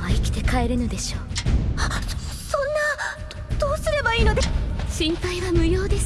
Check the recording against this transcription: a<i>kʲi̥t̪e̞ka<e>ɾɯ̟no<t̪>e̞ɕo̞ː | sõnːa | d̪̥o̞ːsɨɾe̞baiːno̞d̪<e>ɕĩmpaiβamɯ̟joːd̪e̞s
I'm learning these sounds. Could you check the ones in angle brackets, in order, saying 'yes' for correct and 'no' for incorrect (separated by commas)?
yes, yes, no, yes